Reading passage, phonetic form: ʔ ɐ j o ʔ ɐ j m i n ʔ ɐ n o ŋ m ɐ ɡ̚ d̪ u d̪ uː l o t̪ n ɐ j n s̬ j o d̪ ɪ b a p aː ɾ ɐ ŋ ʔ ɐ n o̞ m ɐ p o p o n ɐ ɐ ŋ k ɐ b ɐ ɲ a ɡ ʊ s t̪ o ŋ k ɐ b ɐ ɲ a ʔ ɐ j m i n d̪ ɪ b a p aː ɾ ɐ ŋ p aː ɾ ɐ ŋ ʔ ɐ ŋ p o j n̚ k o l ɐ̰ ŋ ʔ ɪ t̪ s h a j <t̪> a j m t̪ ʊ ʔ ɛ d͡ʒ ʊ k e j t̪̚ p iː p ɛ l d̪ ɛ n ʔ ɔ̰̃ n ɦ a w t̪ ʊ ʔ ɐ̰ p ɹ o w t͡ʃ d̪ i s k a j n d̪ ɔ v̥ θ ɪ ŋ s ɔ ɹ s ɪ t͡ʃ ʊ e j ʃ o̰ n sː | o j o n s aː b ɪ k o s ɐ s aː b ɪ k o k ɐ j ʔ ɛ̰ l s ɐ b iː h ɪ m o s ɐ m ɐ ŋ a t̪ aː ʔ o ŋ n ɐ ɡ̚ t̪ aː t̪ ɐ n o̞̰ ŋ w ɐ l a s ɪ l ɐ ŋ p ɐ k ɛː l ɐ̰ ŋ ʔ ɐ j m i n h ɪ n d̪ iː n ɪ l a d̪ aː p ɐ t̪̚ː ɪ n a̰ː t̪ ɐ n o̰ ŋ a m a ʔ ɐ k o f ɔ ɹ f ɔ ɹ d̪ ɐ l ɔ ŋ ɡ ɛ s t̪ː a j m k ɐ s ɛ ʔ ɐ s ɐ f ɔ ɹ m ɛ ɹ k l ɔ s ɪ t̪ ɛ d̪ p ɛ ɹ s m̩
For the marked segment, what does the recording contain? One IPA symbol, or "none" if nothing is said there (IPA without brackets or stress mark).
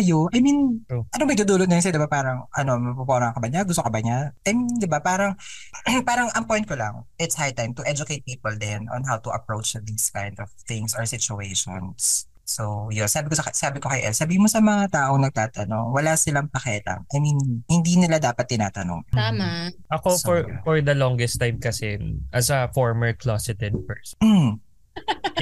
t̪